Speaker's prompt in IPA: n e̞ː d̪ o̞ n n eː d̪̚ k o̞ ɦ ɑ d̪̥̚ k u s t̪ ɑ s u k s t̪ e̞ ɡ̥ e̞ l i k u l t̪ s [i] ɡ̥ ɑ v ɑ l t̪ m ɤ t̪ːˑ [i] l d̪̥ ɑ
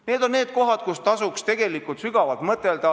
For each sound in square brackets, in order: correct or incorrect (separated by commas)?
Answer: incorrect, incorrect